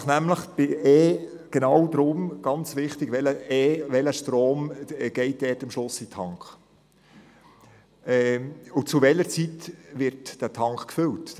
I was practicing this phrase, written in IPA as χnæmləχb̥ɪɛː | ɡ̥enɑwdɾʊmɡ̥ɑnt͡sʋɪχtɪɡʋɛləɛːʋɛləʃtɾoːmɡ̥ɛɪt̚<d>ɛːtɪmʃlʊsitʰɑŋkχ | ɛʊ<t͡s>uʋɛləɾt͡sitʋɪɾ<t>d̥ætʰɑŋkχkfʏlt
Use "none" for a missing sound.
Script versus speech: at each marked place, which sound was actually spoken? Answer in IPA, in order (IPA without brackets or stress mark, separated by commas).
d, t͡s, t